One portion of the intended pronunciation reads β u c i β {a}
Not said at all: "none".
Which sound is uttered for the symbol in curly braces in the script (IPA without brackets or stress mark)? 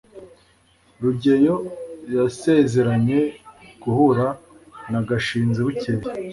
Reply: i